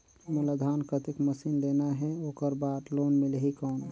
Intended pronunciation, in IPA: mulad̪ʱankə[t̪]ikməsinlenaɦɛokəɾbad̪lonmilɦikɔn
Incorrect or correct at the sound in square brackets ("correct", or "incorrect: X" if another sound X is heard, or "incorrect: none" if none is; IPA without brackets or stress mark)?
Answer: correct